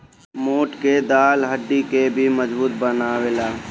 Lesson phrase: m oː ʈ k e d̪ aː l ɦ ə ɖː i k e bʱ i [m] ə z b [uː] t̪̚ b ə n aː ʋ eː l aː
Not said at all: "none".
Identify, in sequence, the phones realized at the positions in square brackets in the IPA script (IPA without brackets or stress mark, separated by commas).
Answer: m, uː